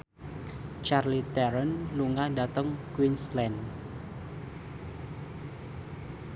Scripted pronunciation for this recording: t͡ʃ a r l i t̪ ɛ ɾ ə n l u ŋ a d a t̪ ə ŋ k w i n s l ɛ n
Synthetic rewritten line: t͡ʃ a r l i t̪ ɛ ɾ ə n l u ŋ a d a t̪ ə ŋ k w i n s l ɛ n